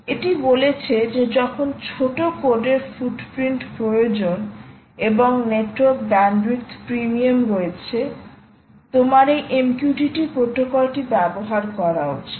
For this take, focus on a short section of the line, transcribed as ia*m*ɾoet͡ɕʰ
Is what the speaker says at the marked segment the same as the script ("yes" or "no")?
yes